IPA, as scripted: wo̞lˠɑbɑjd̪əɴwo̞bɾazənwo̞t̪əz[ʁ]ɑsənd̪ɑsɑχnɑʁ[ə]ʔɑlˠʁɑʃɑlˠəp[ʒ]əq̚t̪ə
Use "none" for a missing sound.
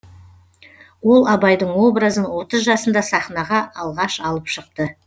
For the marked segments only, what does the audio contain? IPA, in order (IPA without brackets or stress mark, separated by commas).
ʒ, ɑ, ʃ